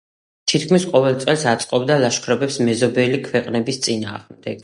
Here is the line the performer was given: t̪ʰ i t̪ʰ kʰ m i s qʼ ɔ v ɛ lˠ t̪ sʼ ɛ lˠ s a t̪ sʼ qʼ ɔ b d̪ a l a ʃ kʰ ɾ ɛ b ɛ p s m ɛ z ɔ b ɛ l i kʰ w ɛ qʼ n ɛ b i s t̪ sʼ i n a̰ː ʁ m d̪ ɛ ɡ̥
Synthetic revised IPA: t̪ʰ i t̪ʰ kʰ m i s qʼ ɔ v ɛ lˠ t̪ sʼ ɛ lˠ s a t̪ sʼ qʼ ɔ b d̪ a l a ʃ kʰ ɾ ɛ b ɛ p s m ɛ z ɔ b ɛ l i kʰ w ɛ qʼ n ɛ b i s t̪ sʼ i n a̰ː ʁ m d̪ ɛ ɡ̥